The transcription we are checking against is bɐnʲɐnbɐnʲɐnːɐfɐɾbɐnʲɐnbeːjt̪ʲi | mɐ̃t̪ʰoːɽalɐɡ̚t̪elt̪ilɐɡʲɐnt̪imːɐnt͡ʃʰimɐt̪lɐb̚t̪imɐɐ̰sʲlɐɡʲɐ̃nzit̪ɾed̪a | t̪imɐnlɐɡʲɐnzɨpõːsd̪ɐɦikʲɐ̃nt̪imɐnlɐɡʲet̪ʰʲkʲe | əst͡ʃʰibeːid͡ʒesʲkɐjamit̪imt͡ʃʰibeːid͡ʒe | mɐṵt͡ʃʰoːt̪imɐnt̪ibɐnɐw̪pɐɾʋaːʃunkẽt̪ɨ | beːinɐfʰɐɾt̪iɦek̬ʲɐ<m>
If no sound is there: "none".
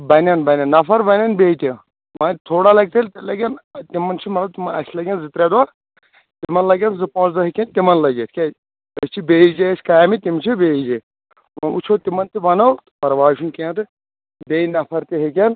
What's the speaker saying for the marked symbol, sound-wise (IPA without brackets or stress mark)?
n